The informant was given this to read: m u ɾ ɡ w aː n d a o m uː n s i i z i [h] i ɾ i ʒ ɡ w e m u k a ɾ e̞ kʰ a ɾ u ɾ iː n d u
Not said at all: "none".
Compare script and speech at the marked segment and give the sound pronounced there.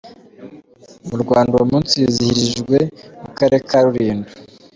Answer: h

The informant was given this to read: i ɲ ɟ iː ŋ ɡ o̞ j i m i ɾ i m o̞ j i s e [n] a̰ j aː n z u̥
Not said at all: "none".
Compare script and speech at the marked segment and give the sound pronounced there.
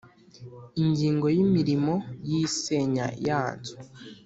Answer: ɲ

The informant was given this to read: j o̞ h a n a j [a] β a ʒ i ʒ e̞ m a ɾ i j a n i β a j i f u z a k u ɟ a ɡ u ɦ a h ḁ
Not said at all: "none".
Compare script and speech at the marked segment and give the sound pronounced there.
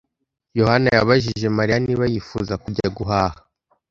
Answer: a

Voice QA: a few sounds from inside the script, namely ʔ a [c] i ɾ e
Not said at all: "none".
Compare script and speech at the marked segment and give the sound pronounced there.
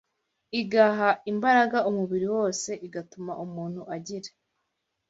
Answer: ɟ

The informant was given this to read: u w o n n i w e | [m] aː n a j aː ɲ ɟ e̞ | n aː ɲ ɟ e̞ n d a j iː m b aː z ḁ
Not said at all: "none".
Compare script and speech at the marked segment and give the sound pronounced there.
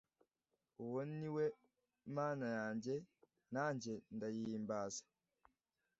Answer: m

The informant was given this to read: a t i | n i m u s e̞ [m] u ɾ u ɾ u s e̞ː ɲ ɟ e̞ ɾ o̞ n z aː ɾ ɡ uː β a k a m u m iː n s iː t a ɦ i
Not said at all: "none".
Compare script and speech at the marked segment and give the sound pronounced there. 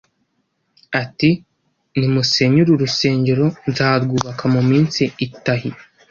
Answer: ɲ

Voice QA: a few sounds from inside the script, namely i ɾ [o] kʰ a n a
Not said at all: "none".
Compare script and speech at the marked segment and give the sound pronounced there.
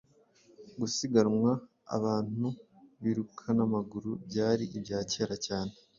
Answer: u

